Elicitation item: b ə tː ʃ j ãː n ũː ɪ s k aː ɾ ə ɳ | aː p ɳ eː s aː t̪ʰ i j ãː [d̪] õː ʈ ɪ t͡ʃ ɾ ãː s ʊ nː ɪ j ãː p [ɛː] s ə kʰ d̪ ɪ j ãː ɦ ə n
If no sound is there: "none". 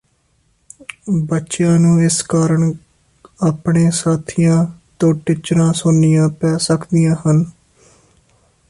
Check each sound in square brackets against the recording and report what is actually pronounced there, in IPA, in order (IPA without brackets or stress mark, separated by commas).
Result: t̪, ɛː